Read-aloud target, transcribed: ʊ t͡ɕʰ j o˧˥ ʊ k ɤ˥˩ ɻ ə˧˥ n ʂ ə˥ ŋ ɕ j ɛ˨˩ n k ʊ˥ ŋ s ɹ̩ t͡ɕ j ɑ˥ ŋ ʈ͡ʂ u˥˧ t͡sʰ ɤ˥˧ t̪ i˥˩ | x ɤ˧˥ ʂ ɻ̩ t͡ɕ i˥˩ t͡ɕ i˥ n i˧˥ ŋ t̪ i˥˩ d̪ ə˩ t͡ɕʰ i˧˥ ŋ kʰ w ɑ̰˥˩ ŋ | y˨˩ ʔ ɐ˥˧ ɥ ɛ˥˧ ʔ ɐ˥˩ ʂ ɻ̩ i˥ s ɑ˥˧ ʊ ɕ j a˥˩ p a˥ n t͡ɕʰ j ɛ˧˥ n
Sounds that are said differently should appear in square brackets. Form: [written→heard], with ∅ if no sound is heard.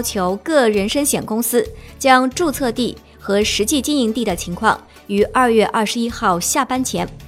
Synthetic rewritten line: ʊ t͡ɕʰ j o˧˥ ʊ k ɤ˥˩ ɻ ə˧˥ n ʂ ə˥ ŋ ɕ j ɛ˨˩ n k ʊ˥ ŋ s ɹ̩ t͡ɕ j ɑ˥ ŋ ʈ͡ʂ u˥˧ t͡sʰ ɤ˥˧ t̪ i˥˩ | x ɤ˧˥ ʂ ɻ̩ t͡ɕ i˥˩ t͡ɕ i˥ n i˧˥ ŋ t̪ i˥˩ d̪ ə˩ t͡ɕʰ i˧˥ ŋ kʰ w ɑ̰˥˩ ŋ | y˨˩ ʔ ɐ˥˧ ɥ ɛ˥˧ ʔ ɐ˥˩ ʂ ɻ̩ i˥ [s→x] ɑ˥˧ ʊ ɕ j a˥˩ p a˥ n t͡ɕʰ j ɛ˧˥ n